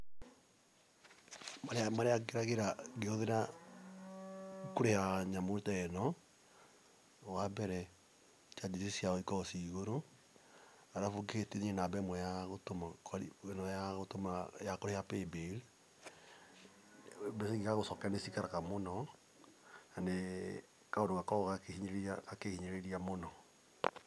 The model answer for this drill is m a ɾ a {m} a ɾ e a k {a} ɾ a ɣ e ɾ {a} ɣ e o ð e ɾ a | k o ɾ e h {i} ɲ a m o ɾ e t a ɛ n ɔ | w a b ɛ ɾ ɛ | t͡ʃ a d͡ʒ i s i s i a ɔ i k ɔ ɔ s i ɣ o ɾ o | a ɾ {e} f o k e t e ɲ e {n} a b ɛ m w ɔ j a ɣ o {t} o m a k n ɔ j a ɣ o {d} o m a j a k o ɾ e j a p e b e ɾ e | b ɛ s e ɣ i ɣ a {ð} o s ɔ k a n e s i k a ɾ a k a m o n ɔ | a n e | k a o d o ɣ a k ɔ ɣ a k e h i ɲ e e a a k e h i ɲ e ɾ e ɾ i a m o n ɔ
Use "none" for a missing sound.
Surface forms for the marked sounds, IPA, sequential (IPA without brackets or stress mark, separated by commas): m, e, a, a, a, n, t, t, ɣ